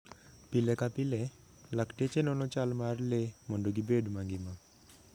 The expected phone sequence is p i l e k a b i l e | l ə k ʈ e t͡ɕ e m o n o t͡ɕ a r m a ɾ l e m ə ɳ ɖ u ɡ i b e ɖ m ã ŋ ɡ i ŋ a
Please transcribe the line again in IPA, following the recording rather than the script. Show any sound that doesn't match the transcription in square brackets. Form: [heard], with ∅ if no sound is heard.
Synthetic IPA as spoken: p i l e k a [p] i l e | l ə k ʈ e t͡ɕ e [n] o n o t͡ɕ a [l] m a ɾ l e m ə ɳ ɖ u ɡ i b e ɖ m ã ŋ ɡ i [m] a